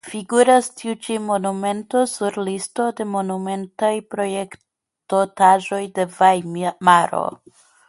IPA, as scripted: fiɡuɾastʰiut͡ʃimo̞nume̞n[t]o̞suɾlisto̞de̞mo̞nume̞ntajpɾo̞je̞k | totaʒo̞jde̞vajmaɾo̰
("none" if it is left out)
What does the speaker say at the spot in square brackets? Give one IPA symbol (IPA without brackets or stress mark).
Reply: t